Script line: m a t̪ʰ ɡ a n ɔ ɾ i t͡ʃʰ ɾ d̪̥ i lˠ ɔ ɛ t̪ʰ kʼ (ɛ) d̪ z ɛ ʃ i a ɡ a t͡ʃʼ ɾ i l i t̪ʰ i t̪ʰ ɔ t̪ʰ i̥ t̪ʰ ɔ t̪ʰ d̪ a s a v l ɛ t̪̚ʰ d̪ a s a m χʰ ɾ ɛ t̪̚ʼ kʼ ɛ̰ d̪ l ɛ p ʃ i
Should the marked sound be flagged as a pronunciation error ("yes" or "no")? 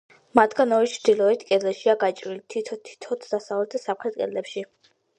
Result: no